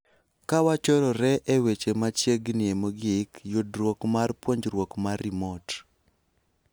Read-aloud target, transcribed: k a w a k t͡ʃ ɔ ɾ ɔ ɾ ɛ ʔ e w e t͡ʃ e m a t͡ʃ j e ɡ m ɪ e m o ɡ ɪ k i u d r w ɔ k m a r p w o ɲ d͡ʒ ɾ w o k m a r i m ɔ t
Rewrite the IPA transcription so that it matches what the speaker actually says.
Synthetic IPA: k a w a t͡ʃ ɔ ɾ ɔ ɾ ɛ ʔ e w e t͡ʃ e m a t͡ʃ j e ɡ n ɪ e m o ɡ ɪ k j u d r w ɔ k m a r p w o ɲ d͡ʒ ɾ w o k m a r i m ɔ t